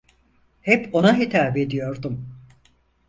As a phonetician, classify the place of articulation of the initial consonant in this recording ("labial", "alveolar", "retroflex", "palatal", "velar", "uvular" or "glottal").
glottal